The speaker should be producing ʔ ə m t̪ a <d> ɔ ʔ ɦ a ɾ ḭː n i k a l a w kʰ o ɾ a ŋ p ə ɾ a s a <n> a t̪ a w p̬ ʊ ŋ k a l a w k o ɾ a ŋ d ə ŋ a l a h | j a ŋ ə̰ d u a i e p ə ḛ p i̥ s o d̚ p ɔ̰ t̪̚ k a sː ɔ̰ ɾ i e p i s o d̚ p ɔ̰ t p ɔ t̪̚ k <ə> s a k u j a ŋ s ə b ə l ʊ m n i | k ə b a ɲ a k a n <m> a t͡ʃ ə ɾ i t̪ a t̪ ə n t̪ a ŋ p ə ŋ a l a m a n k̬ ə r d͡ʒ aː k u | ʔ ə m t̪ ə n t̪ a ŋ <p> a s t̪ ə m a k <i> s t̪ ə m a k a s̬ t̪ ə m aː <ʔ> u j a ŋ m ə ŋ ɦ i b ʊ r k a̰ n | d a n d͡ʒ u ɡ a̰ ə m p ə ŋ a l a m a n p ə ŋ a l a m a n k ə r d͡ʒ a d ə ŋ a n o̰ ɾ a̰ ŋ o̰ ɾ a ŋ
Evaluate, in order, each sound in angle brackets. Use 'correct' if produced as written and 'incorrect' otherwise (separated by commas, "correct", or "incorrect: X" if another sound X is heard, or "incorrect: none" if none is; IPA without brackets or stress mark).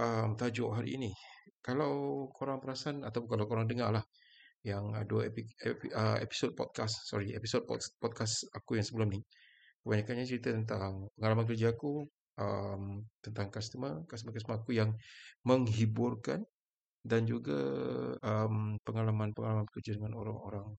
incorrect: d͡ʒ, correct, incorrect: a, incorrect: ɲ, incorrect: k, incorrect: a, incorrect: k